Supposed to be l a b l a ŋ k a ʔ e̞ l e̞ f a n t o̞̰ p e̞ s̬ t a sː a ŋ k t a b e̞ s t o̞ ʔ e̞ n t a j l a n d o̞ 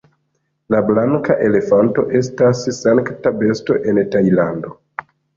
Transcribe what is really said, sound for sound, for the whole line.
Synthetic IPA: l a b l a ŋ k a ʔ e̞ l e̞ f a n t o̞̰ ʔ e̞ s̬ t a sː a ŋ k t a b e̞ s t o̞ ʔ e̞ n t a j l a n d o̞